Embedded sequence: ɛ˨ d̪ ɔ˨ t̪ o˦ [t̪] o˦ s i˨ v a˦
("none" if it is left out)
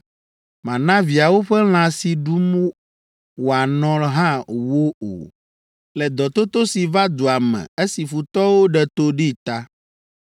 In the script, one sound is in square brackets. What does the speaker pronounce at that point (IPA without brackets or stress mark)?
t̪